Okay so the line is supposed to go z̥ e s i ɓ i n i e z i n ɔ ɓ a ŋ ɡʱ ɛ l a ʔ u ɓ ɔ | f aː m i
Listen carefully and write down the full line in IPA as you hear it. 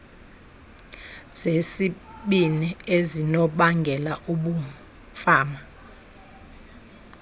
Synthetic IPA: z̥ e s i ɓ i n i e z i n ɔ ɓ a ŋ ɡʱ ɛ l a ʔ u ɓ u | f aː m a

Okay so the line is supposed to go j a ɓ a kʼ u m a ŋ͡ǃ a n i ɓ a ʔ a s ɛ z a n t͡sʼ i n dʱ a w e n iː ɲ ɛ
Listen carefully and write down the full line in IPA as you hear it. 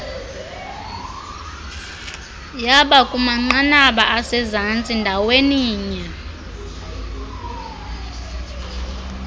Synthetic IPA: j a ɓ a kʼ u m a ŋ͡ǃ a n a ɓ a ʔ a s ɛ z a n t͡sʼ i n dʱ a w e n iː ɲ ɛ

